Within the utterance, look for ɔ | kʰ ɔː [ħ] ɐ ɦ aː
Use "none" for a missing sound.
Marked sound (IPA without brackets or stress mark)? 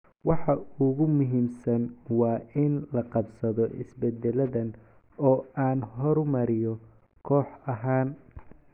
ħ